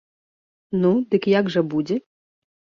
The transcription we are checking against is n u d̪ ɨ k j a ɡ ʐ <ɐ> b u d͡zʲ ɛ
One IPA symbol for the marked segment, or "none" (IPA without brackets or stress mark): ɐ